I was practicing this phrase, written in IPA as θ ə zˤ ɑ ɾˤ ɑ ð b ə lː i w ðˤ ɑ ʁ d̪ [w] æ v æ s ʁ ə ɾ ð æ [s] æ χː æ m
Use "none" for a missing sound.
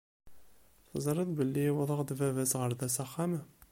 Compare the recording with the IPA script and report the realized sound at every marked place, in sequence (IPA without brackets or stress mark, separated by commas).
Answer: v, s